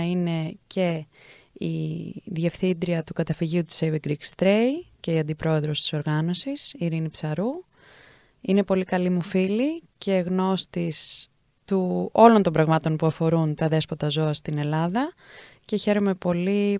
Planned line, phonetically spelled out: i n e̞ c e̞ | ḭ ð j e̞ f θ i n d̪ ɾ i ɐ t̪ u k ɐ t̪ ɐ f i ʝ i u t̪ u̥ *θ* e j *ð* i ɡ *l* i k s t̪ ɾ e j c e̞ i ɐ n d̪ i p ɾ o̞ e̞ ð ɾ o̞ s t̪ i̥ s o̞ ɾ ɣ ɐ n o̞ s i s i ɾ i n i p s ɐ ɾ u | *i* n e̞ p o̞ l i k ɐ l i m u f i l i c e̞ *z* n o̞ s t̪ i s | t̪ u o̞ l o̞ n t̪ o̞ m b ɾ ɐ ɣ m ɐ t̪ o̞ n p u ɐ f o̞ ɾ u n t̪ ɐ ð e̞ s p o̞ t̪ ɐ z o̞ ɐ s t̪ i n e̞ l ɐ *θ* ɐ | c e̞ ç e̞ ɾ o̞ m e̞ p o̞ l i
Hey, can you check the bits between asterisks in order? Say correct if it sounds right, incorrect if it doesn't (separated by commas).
incorrect, incorrect, incorrect, correct, incorrect, incorrect